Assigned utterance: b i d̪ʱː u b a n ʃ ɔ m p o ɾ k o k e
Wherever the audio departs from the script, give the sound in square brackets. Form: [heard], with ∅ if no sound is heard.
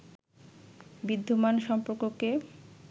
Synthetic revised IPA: b i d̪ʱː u [m] a n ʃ ɔ m p o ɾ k o k e